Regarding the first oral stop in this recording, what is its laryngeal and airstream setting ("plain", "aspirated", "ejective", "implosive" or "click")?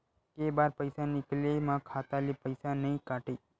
plain